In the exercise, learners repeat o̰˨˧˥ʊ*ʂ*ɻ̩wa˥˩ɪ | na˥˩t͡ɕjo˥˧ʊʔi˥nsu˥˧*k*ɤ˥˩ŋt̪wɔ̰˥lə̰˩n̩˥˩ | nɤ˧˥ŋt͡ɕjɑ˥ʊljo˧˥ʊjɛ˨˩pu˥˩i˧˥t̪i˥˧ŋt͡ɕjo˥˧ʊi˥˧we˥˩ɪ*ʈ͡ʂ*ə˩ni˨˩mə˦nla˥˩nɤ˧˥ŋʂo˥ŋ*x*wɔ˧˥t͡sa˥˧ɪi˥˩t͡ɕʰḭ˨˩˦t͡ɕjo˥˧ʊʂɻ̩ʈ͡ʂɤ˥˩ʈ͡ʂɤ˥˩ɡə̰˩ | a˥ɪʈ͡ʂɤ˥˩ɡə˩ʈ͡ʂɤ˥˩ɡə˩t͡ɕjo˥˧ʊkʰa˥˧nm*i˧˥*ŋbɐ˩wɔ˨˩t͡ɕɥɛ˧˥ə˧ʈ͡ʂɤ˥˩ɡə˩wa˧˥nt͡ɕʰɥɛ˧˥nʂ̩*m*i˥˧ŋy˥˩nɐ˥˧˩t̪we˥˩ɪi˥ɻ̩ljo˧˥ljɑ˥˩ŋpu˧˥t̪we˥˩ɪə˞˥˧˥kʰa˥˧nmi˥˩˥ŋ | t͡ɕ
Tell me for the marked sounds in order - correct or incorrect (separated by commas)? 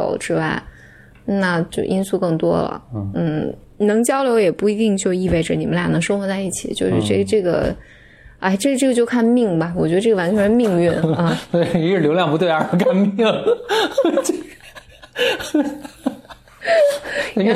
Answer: incorrect, correct, correct, correct, incorrect, correct